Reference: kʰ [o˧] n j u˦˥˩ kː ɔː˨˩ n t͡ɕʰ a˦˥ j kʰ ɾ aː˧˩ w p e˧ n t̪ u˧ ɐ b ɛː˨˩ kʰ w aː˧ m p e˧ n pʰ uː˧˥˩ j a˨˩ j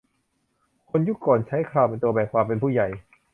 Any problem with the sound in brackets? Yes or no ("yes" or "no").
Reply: no